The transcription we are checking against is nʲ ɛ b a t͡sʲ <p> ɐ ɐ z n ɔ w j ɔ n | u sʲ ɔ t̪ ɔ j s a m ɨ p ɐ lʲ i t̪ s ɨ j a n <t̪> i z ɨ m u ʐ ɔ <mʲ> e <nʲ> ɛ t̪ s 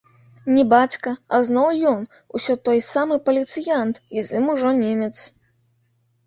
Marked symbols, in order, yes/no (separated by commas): no, yes, no, no